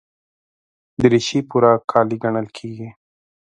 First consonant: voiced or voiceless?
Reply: voiced